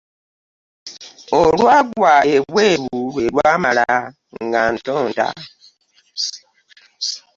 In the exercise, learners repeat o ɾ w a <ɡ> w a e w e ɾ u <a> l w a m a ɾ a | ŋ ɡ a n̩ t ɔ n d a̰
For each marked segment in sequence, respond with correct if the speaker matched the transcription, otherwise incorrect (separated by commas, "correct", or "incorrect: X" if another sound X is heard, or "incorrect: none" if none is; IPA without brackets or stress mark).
correct, incorrect: e